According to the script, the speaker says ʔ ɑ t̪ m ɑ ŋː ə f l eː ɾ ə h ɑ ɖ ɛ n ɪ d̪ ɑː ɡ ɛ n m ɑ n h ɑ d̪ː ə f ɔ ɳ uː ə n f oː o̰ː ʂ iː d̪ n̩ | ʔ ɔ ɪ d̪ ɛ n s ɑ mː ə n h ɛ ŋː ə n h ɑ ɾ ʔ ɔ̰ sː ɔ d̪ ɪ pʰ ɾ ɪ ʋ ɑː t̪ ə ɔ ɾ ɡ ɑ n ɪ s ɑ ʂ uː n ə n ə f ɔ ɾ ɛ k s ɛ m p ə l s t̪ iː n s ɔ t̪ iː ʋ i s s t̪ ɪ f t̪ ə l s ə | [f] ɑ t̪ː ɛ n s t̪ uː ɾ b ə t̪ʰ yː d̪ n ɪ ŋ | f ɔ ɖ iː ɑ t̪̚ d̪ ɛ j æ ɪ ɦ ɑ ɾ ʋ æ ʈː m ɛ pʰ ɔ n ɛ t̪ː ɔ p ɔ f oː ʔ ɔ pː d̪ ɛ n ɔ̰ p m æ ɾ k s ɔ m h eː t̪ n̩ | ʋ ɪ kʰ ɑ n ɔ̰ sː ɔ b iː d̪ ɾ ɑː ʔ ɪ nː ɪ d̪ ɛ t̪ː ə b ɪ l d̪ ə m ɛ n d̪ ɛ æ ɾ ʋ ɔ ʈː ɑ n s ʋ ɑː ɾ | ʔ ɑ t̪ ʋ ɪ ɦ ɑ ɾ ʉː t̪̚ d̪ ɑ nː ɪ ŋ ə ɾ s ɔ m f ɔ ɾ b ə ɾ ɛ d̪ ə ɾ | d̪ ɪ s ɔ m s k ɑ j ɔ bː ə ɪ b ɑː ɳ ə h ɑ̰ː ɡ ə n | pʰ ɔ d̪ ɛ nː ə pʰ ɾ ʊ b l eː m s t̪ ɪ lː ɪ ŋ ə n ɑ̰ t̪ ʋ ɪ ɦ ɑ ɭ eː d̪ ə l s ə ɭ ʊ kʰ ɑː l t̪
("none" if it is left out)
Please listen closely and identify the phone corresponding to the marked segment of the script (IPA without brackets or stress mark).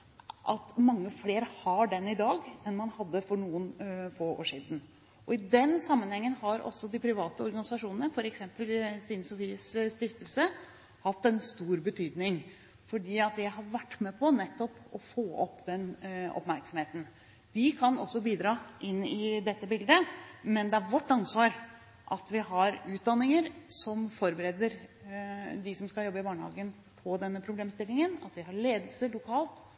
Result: h